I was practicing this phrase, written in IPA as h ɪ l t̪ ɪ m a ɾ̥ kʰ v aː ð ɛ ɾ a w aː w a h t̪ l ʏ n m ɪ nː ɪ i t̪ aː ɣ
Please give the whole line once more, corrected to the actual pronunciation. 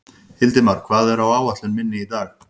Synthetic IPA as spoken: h ɪ l t̪ ɪ m a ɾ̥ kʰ v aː ð ɛ ɾ a w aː w a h t̪ l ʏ n m ɪ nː ɪ i t̪ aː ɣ

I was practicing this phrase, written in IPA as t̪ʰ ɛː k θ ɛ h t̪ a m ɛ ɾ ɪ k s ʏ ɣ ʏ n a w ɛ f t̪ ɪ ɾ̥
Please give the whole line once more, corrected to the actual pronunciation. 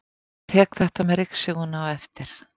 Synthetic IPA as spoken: t̪ʰ ɛː k θ ɛ h t̪ a m ɛ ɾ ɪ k s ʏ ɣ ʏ n a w ɛ f t̪ ɪ ɾ̥

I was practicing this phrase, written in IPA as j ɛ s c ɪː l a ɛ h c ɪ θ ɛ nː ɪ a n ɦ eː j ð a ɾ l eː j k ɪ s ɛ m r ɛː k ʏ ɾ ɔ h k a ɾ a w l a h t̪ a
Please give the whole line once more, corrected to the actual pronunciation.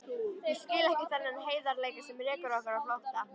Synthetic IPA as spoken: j ɛ s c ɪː l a ɛ h c ɪ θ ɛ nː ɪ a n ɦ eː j ð a ɾ l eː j k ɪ s ɛ m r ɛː k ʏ ɾ ɔ h k a ɾ a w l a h t̪ a

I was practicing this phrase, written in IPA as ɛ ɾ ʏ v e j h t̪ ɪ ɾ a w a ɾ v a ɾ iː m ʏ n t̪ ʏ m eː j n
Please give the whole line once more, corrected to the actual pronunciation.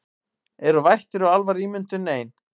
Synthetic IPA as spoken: ɛ ɾ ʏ v a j h t̪ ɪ ɾ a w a l v a ɾ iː m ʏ n t̪ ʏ n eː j n

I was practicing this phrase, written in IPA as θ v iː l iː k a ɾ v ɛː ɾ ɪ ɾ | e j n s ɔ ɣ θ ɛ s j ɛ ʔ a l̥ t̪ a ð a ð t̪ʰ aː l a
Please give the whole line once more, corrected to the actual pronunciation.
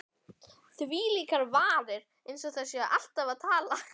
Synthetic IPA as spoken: θ v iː l iː k a ɾ v aː ɾ ɪ ɾ | e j n s ɔ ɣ θ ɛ s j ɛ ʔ a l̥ t̪ a v a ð t̪ʰ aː l a

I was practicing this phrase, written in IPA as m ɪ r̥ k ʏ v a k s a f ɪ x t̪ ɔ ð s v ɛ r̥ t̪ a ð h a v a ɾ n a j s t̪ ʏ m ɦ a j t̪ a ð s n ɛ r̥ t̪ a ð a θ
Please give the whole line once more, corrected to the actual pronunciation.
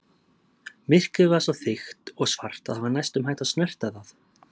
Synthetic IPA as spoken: m ɪ r̥ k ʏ v a s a θ ɪ x t̪ ɔ ɣ s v a r̥ t̪ a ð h a v a ɾ n a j s t̪ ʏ m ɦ a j t̪ a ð s n ɛ r̥ t̪ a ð a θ

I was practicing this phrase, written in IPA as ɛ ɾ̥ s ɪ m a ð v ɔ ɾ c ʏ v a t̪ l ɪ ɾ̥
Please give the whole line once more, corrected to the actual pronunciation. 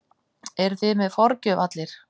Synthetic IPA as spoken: ɛ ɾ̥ θ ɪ m ɛ ð f ɔ ɾ c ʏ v a t̪ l ɪ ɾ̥

